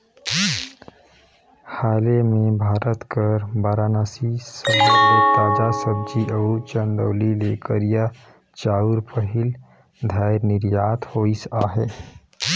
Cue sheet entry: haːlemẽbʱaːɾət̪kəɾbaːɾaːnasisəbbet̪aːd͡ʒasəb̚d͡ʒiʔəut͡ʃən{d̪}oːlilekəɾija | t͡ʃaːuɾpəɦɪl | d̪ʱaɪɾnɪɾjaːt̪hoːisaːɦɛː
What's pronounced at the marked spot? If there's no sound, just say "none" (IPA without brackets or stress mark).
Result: d̪